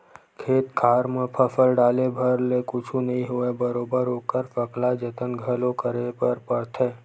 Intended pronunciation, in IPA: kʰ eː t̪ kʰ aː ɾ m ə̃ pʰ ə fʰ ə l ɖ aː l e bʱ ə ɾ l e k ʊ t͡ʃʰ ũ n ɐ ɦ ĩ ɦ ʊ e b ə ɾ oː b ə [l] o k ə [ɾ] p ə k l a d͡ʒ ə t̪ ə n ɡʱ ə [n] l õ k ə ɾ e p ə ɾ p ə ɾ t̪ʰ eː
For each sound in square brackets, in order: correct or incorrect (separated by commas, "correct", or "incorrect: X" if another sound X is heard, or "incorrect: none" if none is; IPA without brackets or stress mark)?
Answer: incorrect: ɾ, correct, incorrect: none